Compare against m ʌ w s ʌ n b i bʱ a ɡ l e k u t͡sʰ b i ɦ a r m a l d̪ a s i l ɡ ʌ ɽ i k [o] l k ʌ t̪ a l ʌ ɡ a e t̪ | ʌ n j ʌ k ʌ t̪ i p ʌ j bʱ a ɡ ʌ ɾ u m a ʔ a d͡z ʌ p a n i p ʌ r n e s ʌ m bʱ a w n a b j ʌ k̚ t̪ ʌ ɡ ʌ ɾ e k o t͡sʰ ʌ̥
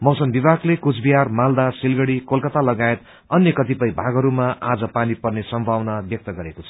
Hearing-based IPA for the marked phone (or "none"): o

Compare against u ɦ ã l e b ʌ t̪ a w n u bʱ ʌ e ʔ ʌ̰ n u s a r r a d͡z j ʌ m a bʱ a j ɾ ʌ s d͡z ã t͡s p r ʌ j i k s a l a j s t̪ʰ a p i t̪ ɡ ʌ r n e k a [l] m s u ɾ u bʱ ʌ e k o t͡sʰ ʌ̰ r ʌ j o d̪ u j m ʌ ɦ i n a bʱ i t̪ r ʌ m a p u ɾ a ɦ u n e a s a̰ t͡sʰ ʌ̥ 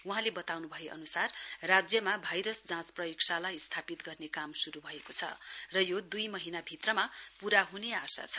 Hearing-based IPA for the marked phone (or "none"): none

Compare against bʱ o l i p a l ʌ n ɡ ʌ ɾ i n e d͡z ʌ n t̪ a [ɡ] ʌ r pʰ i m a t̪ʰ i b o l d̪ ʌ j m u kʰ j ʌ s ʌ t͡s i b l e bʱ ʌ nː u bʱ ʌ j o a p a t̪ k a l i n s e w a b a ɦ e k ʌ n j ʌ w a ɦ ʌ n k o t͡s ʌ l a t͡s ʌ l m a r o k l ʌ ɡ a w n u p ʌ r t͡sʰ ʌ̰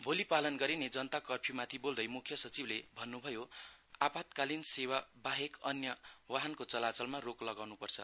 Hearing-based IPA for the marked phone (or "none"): k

